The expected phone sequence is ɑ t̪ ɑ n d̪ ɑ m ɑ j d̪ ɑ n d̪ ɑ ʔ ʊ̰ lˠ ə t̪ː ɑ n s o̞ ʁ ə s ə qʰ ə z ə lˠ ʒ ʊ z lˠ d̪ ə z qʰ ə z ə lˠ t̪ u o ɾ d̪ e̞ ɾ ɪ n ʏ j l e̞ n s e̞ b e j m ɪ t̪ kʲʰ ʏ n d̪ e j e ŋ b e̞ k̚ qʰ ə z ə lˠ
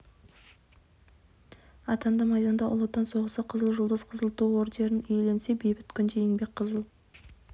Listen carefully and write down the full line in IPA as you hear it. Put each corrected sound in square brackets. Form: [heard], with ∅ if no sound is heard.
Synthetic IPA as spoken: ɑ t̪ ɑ n d̪ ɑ m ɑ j d̪ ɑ n d̪ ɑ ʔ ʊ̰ lˠ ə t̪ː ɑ n s o̞ ʁ ə s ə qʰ ə z ə lˠ ʒ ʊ [∅] lˠ d̪ ə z qʰ ə z ə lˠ t̪ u o ɾ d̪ e̞ ɾ ɪ n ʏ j l e̞ n s e̞ b e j [b] ɪ t̪ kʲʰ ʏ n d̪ e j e ŋ b e̞ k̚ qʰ ə z ə lˠ